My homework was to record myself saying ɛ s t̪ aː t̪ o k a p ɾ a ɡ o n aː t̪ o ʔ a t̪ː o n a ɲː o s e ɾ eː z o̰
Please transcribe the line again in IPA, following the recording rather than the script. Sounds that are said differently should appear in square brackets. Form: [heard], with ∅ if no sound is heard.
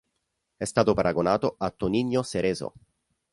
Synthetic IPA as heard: ɛ s t̪ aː t̪ o [p] a [∅] ɾ a ɡ o n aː t̪ o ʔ a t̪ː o n [i] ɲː o s e ɾ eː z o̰